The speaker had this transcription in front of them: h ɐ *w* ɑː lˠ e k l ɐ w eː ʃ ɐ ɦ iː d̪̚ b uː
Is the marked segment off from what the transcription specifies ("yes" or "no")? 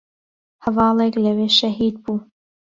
yes